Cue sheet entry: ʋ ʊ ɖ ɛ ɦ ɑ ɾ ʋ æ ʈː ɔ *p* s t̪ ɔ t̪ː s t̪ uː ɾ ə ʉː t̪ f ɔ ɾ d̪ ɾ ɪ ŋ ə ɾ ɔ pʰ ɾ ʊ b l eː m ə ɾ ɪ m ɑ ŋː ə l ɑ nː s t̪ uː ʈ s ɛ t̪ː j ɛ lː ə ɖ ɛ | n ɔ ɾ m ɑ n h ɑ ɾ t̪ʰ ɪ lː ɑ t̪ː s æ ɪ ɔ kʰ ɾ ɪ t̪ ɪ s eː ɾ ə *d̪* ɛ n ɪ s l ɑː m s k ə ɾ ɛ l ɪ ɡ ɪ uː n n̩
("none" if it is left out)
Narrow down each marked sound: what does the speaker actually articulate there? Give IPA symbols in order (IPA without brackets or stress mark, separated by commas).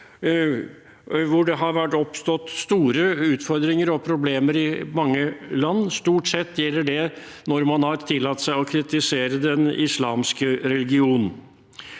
p, d̪